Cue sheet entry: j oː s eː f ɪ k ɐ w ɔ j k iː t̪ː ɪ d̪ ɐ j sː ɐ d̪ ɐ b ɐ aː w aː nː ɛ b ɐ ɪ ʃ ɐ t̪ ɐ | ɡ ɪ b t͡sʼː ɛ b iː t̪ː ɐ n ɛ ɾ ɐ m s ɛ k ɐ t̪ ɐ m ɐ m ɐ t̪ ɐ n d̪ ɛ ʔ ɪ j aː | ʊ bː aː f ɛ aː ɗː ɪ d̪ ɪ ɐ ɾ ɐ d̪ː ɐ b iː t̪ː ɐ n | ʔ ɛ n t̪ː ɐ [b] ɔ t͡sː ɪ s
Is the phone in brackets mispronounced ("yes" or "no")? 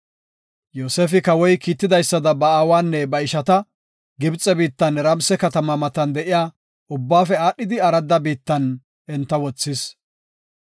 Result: yes